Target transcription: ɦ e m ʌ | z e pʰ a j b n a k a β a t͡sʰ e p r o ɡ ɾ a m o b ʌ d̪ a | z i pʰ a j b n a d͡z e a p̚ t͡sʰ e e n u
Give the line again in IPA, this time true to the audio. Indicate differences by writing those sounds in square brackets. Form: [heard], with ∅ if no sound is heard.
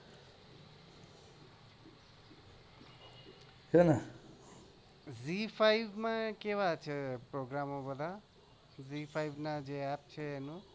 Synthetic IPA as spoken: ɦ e [n] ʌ | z [i] pʰ a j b [m] a k [e] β a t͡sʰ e p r o ɡ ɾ a m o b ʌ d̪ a | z i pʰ a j b n a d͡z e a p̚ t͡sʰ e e n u